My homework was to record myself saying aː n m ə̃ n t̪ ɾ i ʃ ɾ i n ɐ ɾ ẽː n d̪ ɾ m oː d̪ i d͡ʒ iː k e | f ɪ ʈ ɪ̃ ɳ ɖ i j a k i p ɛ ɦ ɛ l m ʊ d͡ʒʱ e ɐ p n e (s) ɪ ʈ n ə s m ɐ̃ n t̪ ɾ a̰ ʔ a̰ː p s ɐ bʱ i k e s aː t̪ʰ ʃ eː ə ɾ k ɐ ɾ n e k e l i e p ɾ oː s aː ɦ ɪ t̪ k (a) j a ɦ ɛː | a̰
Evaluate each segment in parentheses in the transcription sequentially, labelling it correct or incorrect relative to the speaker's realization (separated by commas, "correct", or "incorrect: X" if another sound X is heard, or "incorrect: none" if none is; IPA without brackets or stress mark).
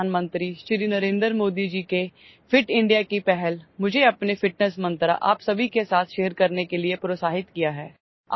incorrect: f, incorrect: i